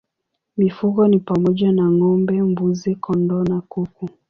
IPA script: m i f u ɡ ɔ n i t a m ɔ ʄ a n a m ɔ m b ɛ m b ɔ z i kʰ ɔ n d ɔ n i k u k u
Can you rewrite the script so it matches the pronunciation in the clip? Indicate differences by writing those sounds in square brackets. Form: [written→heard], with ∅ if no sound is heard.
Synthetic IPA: m i f u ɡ ɔ n i [t→p] a m ɔ ʄ a n a [m→ŋ] ɔ m b ɛ m b [ɔ→u] z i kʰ ɔ n d ɔ n [i→a] k u k u